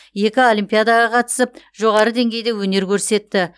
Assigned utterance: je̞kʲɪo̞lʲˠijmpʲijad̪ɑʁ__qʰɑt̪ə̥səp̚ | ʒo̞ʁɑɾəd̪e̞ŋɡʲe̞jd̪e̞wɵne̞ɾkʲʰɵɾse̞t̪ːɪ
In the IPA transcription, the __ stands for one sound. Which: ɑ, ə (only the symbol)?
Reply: ɑ